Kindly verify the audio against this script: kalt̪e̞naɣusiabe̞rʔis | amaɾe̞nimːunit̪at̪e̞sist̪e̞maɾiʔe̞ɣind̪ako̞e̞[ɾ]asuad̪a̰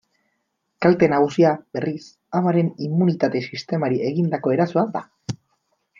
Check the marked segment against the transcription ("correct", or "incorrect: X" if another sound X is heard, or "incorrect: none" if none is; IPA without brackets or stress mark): correct